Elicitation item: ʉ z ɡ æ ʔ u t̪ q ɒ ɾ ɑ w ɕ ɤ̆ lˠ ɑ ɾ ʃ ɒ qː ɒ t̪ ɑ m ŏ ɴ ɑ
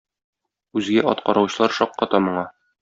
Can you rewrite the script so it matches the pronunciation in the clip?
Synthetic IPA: ʉ z ɡ æ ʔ ɒ t̪ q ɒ ɾ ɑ w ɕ ɤ̆ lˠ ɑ ɾ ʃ ɒ qː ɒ t̪ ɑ m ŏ ɴ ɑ

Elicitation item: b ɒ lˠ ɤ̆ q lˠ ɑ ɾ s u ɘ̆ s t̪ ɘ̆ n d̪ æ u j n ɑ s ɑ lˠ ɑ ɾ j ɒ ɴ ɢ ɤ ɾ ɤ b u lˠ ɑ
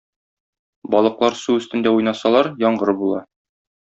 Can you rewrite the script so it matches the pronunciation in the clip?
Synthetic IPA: b ɒ lˠ ɤ̆ q lˠ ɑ ɾ s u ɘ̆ s t̪ ɘ̆ n d̪ æ u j n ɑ s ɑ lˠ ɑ ɾ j ɒ ɴ ɢ ɤ ɾ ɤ b u lˠ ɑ

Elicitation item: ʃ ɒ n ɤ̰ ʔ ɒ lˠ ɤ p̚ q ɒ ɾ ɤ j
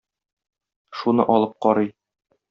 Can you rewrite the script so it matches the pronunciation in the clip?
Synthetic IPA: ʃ u n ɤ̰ ʔ ɒ lˠ ɤ p̚ q ɒ ɾ ɤ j

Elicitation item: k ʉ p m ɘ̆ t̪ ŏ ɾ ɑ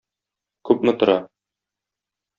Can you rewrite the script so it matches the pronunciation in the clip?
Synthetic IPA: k ʉ p m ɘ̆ t̪ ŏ ɾ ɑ

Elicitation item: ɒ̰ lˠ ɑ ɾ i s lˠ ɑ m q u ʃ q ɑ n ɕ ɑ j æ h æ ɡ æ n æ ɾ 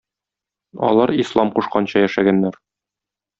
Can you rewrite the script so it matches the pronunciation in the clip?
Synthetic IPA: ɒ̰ lˠ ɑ ɾ i s lˠ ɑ m q u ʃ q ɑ n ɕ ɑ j æ ʃ æ ɡ æ nː æ ɾ

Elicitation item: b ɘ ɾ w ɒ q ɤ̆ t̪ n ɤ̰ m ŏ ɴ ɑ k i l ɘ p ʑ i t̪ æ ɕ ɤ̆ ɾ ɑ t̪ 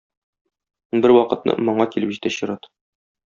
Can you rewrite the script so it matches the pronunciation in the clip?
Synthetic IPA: b ɘ ɾ w ɒ q ɤ̆ t̪ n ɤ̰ m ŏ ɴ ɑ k i l ɘ p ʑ i t̪ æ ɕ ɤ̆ ɾ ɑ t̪

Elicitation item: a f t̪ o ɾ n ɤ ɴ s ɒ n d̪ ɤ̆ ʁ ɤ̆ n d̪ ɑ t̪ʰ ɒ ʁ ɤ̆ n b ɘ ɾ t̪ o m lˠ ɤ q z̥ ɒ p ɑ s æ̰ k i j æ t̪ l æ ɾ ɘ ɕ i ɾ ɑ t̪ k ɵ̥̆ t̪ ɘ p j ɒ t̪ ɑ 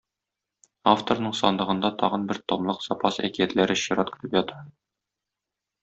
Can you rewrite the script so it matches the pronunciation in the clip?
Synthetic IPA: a f t̪ o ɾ n ɤ ɴ s ɒ n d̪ ɤ̆ ʁ ɤ̆ n d̪ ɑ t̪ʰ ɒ ʁ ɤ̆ n b ɘ ɾ t̪ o m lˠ ɤ q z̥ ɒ p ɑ s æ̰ k i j æ t̪ l æ ɾ ɘ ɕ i ɾ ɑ t̪ k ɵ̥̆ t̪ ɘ p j ɒ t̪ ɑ

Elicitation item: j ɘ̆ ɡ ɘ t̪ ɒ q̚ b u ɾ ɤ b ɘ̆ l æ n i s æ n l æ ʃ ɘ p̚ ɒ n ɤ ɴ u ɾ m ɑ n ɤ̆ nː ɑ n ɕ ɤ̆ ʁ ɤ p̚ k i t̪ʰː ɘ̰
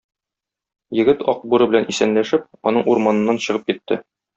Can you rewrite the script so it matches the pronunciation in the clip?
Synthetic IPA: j ɘ̆ ɡ ɘ t̪ ɒ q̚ b u ɾ ɤ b ɘ̆ l æ n i s æ n l æ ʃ ɘ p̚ ɒ n ɤ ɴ u ɾ m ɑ n ɤ̆ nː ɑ n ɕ ɤ̆ ʁ ɤ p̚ k i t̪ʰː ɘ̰

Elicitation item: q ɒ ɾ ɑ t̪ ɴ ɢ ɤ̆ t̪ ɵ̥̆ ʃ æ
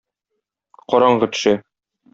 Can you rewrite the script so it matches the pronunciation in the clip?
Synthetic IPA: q ɒ ɾ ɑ ɴ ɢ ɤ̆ t̪ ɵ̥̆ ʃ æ

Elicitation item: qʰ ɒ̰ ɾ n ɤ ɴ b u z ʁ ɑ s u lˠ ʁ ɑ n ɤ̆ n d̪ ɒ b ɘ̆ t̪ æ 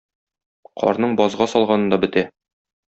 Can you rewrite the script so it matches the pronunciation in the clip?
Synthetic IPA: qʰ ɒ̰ ɾ n ɤ ɴ b ɒ z ʁ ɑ s ɒ lˠ ʁ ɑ n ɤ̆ n d̪ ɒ b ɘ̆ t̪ æ

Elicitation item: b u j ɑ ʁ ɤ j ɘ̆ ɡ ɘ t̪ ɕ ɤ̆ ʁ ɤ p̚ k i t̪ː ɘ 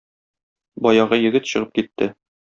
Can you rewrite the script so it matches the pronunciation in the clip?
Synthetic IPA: b ɒ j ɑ ʁ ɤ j ɘ̆ ɡ ɘ t̪ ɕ ɤ̆ ʁ ɤ p̚ k i t̪ː ɘ

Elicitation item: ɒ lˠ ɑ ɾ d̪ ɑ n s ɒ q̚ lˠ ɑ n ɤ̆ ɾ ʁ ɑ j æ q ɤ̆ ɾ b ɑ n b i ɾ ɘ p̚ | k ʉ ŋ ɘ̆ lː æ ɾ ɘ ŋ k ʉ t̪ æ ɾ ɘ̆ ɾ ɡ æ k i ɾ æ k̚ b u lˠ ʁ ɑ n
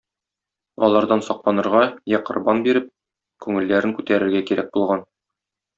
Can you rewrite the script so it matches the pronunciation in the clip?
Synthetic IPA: ɒ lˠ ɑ ɾ d̪ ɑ n s ɒ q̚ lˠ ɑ n ɤ̆ ɾ ʁ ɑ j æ q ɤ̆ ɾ b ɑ n b i ɾ ɘ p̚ | k ʉ ŋ ɘ̆ lː æ ɾ ɘ ŋ k ʉ t̪ æ ɾ ɘ̆ ɾ ɡ æ k i ɾ æ k̚ b u lˠ ʁ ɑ n

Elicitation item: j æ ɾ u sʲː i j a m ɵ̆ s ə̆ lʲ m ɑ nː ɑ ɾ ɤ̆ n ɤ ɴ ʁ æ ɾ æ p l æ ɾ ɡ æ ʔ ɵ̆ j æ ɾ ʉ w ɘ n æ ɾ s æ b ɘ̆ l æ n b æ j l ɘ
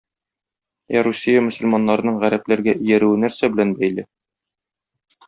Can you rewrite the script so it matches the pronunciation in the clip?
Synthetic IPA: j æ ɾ u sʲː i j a m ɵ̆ s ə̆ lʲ m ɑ nː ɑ ɾ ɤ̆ n ɤ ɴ ʁ æ ɾ æ p l æ ɾ ɡ æ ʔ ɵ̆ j æ ɾ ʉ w ɘ n æ ɾ s æ b ɘ̆ l æ n b æ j l ɘ

